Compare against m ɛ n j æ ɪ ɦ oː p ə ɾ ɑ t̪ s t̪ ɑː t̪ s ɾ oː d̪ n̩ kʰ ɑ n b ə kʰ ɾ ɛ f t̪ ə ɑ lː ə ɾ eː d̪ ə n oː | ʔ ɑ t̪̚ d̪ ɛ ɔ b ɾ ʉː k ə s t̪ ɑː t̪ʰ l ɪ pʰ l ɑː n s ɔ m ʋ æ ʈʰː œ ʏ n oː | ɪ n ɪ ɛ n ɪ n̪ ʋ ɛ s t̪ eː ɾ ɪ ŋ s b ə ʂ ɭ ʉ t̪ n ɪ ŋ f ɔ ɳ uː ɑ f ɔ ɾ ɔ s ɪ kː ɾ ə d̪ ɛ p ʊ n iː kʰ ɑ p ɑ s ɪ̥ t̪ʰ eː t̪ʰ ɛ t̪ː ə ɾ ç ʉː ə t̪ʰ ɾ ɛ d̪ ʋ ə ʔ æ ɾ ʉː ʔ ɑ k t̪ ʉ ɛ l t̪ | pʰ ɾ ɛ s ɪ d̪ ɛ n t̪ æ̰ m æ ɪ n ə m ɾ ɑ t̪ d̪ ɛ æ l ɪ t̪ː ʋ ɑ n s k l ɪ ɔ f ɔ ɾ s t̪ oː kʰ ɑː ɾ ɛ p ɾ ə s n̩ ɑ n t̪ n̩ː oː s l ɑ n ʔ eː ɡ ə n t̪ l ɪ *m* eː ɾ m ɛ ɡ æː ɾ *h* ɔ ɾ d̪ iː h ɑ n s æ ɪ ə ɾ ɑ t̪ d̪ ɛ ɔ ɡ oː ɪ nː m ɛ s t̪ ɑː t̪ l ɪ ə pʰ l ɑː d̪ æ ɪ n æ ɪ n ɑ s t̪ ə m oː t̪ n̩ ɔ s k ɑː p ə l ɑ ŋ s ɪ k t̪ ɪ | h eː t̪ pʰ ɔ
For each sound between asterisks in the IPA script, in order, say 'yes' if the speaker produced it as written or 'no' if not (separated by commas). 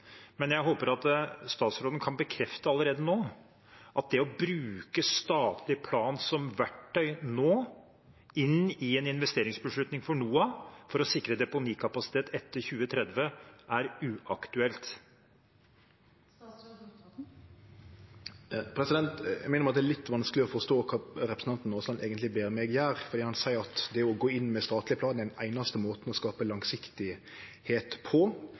no, no